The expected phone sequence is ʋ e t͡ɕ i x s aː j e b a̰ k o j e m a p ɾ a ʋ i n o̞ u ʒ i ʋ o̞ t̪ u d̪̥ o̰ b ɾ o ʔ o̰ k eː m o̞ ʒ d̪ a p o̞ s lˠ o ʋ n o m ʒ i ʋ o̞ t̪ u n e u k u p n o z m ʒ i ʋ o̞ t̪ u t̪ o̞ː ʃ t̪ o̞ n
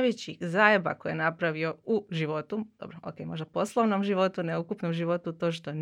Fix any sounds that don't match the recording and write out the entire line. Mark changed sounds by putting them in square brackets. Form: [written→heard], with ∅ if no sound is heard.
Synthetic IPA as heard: ʋ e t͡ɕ i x [s→z] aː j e b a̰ k o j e [m→n] a p ɾ a ʋ i [n→∅] o̞ u ʒ i ʋ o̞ t̪ u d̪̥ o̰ b ɾ o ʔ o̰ k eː m o̞ ʒ d̪ a p o̞ s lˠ o ʋ n o m ʒ i ʋ o̞ t̪ u n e u k u p n o [z→∅] m ʒ i ʋ o̞ t̪ u t̪ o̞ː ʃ t̪ o̞ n